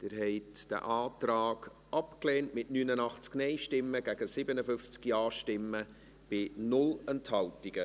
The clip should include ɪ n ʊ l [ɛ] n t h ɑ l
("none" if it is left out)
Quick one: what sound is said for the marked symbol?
ɛ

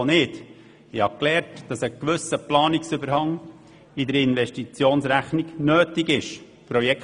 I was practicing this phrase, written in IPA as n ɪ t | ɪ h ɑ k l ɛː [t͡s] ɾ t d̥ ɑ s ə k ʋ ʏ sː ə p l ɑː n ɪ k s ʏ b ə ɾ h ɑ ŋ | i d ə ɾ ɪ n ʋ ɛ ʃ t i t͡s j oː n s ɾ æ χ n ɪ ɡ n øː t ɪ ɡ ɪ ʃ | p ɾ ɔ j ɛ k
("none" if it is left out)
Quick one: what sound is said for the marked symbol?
none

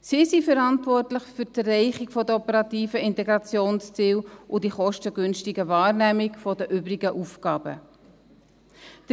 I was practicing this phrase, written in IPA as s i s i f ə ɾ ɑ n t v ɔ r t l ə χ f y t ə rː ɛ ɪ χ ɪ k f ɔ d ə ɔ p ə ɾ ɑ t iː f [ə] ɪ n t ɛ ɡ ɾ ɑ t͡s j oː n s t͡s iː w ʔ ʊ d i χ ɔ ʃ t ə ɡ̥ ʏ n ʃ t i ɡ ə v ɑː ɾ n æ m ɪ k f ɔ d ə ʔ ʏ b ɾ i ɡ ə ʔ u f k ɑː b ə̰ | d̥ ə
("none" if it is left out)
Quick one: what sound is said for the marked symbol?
ə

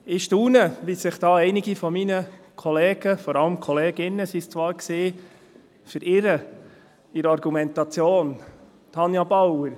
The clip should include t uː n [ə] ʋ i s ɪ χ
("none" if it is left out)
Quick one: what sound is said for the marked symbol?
ə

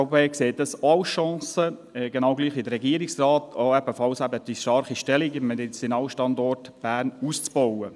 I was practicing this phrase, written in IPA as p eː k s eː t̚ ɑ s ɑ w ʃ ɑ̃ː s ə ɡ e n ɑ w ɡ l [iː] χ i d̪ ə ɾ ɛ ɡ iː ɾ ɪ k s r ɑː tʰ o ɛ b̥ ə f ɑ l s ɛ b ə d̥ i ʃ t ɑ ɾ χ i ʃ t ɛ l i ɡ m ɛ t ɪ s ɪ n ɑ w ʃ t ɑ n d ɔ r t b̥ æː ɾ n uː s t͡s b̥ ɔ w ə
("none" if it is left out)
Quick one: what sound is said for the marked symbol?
iː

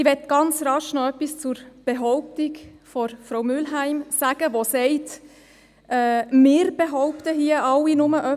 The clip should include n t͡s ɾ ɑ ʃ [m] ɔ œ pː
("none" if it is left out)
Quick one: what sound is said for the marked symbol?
n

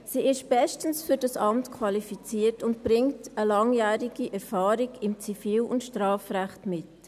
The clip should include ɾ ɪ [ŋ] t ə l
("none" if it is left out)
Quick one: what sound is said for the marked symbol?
ŋ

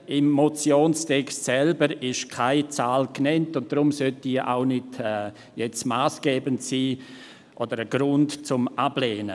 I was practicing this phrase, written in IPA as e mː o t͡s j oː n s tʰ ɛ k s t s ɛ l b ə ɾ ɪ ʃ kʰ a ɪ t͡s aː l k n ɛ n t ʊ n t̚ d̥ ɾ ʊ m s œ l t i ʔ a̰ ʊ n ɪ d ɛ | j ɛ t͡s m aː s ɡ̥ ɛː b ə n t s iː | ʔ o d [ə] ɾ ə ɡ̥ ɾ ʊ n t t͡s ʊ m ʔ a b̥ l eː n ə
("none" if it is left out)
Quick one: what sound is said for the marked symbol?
ə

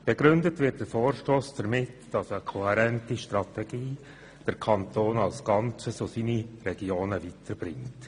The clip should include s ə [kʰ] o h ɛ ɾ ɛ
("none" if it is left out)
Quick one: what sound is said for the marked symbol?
kʰ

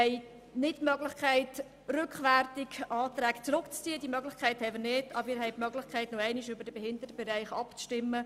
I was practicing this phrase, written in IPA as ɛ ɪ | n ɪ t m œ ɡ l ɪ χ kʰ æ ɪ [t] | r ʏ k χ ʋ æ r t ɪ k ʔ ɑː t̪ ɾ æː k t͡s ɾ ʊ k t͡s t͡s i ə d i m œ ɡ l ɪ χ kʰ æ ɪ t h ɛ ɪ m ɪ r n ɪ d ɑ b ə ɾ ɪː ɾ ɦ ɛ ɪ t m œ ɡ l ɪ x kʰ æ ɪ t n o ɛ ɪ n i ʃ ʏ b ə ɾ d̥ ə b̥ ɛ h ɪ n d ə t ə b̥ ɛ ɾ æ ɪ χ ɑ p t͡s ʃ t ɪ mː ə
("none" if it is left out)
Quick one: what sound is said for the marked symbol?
t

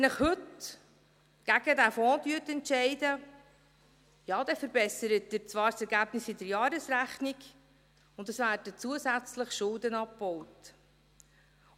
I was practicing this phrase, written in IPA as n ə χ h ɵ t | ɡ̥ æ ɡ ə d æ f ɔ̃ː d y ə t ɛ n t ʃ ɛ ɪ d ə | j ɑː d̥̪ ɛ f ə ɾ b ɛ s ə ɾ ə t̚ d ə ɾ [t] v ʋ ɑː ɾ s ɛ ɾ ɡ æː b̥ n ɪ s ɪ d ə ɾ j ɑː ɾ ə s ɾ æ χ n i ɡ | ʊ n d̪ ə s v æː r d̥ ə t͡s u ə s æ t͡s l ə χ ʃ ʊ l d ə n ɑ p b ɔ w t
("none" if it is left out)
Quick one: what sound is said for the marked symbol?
t͡s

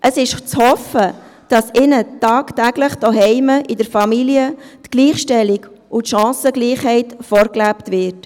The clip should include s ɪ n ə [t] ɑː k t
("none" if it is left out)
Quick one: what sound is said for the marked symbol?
t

